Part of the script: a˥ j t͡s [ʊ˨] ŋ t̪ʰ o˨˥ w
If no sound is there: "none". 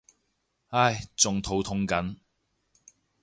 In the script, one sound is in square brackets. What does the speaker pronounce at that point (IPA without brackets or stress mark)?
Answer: ʊ˨